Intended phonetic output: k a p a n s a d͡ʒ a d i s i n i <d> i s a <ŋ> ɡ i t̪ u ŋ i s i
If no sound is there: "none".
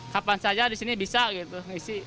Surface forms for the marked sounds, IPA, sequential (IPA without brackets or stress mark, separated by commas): b, none